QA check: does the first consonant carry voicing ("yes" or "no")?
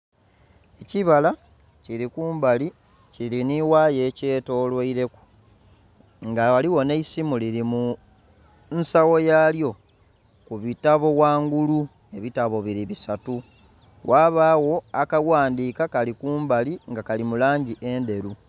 no